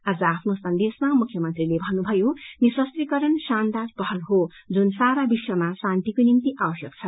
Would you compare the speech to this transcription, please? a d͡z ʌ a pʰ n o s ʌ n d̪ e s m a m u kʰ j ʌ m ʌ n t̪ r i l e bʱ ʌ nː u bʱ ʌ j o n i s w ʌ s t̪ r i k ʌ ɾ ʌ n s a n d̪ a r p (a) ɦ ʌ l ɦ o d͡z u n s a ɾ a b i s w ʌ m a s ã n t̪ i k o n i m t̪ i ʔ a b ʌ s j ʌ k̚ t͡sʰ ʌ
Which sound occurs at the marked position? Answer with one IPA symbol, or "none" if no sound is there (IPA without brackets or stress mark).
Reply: ʌ